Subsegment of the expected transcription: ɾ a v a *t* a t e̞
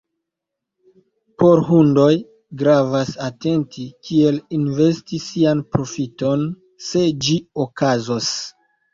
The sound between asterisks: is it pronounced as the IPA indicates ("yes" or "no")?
no